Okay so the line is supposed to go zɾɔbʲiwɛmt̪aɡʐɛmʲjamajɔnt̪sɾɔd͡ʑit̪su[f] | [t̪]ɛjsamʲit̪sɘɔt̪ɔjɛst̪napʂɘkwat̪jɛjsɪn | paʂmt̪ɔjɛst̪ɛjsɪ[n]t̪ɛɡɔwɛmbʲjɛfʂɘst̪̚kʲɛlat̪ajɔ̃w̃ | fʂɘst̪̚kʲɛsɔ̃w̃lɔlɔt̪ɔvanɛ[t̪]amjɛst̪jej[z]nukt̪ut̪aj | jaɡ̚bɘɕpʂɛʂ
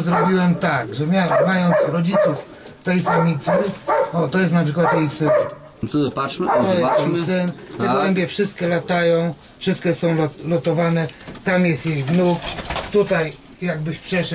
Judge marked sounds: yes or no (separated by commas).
yes, yes, yes, yes, no